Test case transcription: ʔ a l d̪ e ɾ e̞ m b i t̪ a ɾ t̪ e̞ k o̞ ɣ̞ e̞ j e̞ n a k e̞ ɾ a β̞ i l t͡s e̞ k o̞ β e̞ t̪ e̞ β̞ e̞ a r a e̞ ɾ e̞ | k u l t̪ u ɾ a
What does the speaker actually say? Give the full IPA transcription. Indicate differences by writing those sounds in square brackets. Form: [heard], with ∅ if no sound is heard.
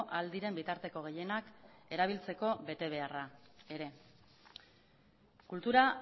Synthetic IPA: ʔ a l d̪ [i] ɾ e̞ m b i t̪ a ɾ t̪ e̞ k o̞ ɣ̞ e̞ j e̞ n a k e̞ ɾ a β̞ i l t͡s e̞ k o̞ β e̞ t̪ e̞ β̞ e̞ a r a e̞ ɾ e̞ | k u l t̪ u ɾ a